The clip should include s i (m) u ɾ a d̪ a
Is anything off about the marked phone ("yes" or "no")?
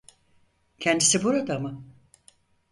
yes